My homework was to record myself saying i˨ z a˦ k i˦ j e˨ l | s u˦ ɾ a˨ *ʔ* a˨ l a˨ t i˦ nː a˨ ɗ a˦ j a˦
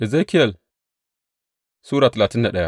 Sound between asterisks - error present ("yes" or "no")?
yes